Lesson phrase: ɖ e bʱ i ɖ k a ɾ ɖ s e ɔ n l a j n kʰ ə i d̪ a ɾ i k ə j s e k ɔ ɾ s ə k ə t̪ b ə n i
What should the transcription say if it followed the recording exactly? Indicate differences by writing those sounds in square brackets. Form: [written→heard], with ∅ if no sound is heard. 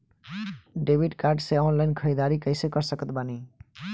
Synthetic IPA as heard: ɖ e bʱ i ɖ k a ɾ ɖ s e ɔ n l a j n kʰ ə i d̪ a ɾ i k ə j s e k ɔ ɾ s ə k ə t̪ b [ə→a] n i